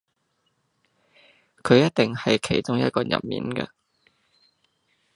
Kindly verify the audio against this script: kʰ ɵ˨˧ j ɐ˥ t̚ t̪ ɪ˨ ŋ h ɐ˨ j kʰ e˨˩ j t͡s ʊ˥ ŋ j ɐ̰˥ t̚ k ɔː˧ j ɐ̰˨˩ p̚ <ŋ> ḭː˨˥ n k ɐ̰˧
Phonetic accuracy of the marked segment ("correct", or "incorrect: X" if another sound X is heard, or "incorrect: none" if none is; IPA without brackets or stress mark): incorrect: m